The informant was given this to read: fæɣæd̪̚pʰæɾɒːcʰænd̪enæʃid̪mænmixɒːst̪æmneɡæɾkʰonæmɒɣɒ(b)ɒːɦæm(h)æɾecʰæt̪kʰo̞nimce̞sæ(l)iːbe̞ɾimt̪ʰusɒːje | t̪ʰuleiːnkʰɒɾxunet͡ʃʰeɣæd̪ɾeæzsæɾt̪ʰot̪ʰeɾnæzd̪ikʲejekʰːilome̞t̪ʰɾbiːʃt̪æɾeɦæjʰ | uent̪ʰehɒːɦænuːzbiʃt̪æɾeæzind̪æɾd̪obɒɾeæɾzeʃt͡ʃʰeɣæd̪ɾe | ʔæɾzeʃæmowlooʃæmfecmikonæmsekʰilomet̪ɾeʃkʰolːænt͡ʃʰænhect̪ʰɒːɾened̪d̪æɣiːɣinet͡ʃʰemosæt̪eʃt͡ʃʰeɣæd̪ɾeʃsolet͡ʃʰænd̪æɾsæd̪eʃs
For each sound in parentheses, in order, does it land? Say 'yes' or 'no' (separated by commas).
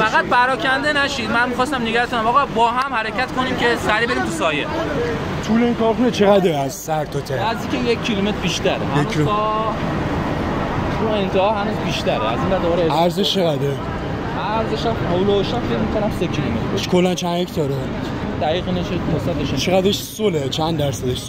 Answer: yes, yes, no